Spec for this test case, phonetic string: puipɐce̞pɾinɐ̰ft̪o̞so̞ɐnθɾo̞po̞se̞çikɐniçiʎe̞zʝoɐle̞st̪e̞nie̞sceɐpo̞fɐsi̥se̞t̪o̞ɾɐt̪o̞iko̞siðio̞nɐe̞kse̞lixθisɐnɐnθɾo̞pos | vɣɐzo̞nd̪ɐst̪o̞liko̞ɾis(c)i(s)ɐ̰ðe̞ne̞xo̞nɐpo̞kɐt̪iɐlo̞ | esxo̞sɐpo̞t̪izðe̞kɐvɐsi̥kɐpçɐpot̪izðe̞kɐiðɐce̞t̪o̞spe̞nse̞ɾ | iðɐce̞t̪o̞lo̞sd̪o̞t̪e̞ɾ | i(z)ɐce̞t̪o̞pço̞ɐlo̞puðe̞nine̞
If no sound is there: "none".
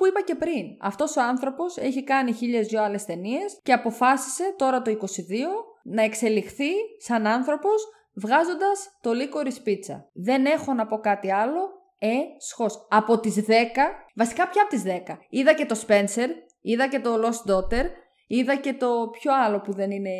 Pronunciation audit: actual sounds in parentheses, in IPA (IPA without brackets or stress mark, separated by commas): p, t͡s, ð